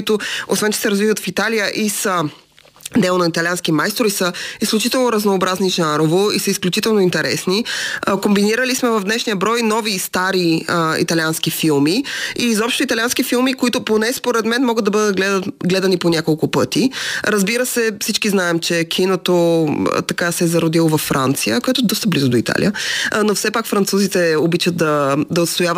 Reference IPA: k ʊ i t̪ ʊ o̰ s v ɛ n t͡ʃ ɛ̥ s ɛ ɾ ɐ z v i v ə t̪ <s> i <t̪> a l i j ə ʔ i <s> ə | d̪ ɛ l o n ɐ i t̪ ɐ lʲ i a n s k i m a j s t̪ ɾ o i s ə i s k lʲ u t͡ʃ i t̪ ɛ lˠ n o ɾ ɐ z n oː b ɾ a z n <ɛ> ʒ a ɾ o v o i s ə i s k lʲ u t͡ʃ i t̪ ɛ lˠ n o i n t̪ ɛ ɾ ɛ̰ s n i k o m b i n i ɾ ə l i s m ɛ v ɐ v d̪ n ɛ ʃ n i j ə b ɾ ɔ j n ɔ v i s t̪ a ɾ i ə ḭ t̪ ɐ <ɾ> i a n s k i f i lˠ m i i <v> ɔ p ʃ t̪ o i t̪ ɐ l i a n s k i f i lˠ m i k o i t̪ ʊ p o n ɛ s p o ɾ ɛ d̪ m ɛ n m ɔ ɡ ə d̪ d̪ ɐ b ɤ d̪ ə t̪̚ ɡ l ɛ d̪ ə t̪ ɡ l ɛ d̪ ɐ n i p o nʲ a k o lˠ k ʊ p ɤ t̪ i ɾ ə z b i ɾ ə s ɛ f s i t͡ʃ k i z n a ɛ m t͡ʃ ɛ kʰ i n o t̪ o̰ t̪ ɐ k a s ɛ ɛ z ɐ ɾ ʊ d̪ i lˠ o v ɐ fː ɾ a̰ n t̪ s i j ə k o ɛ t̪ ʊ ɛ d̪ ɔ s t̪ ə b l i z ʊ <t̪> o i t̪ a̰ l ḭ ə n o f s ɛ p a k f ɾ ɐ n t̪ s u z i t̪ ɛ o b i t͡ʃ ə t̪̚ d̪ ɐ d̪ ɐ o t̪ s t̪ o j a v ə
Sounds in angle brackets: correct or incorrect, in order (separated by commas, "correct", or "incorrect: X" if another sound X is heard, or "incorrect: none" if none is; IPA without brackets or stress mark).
incorrect: f, correct, correct, incorrect: i, incorrect: l, incorrect: z, incorrect: d̪